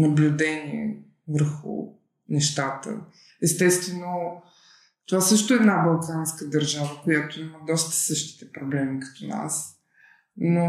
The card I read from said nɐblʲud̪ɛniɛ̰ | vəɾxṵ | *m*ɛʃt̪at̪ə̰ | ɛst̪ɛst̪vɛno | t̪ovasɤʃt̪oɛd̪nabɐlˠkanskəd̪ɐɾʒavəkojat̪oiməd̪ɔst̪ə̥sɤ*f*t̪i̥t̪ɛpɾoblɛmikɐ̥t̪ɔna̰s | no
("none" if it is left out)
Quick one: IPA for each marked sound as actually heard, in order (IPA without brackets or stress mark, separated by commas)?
n, ʃ